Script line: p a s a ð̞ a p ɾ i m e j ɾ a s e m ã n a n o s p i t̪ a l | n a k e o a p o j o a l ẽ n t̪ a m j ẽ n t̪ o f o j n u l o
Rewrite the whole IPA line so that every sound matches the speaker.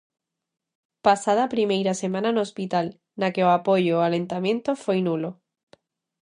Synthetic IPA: p a s a ð̞ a p ɾ i m e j ɾ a s e m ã n a n o s p i t̪ a l | n a k e o a p o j o a l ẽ n t̪ a m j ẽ n t̪ o f o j n u l o